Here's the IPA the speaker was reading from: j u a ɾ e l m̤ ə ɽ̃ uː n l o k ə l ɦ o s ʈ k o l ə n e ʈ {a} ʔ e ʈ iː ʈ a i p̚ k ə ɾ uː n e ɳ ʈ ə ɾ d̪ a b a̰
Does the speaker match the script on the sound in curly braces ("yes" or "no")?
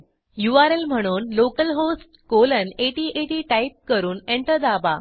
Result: no